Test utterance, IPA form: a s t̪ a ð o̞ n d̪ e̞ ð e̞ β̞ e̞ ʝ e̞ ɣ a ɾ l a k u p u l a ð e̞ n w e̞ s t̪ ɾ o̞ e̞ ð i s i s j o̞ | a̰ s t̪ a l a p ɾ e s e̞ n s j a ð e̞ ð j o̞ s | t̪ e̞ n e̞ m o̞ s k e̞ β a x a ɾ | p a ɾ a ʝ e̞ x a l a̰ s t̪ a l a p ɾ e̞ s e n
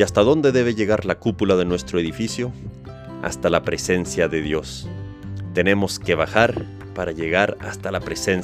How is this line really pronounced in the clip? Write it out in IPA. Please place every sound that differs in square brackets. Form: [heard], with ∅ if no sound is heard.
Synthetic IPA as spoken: a s t̪ a ð o̞ n d̪ e̞ ð e̞ β̞ e̞ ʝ e̞ ɣ a ɾ l a k u p u l a ð e̞ n w e̞ s t̪ ɾ o̞ e̞ ð i [f] i s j o̞ | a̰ s t̪ a l a p ɾ e s e̞ n s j a ð e̞ ð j o̞ s | t̪ e̞ n e̞ m o̞ s k e̞ β a x a ɾ | p a ɾ a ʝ e̞ [ɣ] a [ɾ] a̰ s t̪ a l a p ɾ e̞ s e n